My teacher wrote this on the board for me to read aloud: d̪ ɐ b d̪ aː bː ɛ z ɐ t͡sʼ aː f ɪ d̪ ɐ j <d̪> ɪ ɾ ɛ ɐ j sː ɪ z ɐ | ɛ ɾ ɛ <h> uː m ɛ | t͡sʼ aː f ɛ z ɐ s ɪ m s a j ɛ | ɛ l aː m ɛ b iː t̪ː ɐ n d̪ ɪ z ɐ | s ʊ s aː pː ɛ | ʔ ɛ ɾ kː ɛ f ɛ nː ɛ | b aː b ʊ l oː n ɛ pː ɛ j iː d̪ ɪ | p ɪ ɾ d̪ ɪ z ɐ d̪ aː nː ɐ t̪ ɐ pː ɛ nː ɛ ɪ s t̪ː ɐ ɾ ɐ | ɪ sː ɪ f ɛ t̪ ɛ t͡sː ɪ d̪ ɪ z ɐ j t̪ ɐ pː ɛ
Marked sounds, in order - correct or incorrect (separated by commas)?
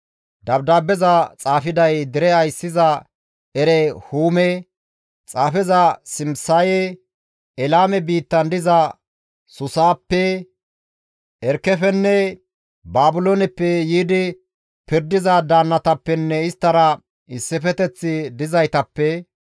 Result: correct, correct